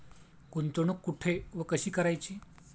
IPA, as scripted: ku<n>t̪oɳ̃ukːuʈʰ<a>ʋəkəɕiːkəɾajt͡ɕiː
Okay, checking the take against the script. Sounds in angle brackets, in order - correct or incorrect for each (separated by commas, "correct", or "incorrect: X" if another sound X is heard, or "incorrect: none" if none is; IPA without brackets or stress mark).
correct, incorrect: e